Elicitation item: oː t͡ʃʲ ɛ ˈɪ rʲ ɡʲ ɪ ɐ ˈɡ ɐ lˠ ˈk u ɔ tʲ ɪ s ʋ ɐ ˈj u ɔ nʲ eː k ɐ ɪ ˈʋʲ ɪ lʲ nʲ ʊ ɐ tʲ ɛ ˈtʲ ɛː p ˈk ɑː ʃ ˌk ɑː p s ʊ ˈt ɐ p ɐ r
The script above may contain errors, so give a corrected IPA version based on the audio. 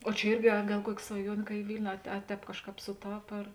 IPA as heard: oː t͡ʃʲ ɛ ˈɪ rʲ ɡʲ ɪ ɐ ˈɡ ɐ lˠ ˈk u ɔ kʲ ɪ s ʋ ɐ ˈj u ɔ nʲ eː k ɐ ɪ ˈʋʲ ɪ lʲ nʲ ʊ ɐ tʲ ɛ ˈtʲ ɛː p ˈk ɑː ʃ ˌk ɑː p s ʊ ˈt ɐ p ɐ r